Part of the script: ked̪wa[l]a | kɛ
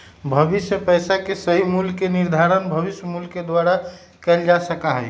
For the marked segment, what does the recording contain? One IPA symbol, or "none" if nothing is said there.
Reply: ɾ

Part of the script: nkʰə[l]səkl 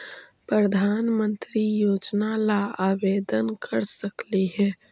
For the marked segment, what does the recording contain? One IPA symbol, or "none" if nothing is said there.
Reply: ɾ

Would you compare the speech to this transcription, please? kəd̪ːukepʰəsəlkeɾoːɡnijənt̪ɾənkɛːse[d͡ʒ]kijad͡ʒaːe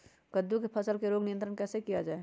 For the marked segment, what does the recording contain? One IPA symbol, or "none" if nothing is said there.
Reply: none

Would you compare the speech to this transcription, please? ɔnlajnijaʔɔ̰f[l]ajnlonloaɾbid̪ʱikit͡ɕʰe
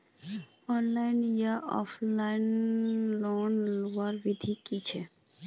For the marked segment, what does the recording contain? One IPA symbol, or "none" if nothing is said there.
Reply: l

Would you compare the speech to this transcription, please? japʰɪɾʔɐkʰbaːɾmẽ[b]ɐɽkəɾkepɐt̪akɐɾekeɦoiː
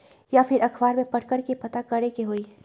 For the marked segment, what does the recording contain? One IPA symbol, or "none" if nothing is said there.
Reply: p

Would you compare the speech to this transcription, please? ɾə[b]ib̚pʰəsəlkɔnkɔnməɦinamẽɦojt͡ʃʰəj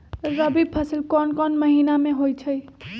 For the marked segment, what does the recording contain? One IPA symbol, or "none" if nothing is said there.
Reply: b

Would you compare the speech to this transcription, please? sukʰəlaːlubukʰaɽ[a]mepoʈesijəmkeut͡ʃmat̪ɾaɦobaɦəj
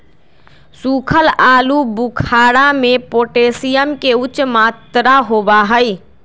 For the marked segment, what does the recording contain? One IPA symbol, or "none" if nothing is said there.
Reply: a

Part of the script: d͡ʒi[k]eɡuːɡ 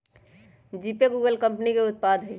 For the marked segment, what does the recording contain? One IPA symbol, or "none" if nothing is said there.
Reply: p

